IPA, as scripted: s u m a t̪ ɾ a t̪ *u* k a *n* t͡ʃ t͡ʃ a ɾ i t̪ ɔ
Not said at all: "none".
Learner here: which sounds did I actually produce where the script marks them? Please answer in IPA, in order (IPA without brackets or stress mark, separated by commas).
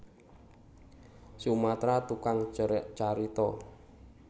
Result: u, ŋ